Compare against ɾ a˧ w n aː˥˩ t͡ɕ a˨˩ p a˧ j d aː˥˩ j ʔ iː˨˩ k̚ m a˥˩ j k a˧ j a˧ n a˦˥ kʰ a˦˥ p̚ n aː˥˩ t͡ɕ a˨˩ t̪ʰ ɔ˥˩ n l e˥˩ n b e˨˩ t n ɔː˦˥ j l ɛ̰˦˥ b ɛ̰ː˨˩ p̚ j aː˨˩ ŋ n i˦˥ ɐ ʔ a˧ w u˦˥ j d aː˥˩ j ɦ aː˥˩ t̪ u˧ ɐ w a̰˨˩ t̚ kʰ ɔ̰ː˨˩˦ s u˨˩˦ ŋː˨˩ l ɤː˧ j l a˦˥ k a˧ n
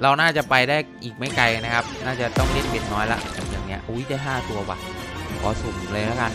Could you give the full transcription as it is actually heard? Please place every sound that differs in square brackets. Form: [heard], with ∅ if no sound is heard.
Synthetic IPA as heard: ɾ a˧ w n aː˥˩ t͡ɕ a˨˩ p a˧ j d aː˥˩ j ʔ iː˨˩ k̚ m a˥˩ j k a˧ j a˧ n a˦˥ kʰ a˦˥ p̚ n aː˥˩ t͡ɕ a˨˩ [t̪] ɔ˥˩ [ŋ] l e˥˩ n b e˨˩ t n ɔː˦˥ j l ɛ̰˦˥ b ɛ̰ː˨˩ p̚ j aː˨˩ ŋ n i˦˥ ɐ ʔ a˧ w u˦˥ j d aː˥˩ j ɦ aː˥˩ t̪ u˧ ɐ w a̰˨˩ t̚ kʰ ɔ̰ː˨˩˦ s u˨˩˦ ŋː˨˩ l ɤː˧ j l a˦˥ k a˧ n